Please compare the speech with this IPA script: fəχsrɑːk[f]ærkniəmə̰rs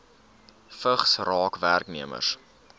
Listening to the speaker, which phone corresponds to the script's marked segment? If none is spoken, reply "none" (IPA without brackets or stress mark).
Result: v